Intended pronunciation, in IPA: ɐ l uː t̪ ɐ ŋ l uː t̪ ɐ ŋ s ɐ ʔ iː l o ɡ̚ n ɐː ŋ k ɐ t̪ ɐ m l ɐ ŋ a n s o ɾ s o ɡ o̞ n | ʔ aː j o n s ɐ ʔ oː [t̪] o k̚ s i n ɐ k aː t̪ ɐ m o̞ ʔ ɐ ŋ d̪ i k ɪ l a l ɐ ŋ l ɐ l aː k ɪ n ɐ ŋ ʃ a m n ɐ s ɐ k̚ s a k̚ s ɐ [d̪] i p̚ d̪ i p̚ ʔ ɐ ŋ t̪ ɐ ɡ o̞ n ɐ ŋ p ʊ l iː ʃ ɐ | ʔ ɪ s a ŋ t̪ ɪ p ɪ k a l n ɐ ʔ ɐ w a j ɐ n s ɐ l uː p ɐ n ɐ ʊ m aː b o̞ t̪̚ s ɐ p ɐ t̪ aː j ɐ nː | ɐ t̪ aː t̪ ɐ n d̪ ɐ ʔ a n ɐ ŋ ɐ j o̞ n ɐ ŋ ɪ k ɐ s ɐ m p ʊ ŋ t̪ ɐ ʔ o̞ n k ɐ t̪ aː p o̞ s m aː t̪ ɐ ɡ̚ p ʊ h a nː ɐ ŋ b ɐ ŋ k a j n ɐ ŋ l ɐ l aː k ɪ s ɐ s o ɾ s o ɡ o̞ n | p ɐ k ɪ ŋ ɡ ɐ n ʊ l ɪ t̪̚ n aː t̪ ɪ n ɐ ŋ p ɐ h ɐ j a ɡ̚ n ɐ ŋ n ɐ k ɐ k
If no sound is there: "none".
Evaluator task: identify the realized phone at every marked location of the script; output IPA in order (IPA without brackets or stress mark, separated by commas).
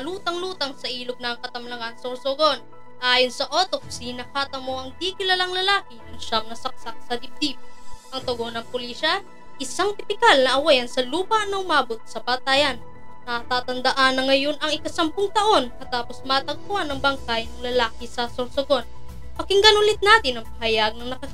t̪, d̪